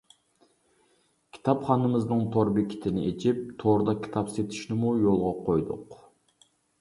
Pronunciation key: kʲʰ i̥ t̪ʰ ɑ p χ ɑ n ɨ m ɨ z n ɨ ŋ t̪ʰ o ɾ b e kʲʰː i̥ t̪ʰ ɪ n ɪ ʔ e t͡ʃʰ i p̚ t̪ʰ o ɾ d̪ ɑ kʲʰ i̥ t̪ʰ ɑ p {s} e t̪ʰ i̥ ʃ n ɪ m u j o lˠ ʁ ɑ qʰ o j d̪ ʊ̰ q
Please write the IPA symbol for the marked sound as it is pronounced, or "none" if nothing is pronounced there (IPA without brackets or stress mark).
s